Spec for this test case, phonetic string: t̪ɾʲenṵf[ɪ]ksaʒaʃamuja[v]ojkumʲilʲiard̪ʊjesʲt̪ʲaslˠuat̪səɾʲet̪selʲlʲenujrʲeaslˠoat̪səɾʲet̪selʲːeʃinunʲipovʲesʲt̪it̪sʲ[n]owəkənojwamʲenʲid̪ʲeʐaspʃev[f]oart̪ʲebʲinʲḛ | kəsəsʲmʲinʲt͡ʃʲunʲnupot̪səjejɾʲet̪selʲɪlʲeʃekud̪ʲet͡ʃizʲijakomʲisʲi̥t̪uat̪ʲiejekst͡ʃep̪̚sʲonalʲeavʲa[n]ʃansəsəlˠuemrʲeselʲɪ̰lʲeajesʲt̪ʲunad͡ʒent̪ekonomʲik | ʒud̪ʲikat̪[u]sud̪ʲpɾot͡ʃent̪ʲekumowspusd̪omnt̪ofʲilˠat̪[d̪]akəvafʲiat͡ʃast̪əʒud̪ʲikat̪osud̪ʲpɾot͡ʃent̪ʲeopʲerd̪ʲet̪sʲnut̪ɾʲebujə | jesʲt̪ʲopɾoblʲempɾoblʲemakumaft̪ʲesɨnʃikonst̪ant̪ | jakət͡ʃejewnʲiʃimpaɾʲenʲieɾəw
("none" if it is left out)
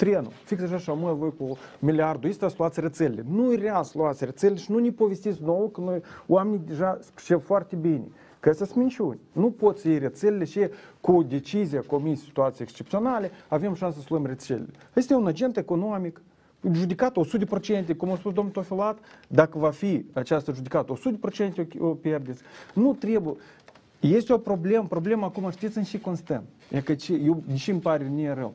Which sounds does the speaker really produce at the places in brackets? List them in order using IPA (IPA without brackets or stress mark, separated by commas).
i, v, n, f, m, o, d̪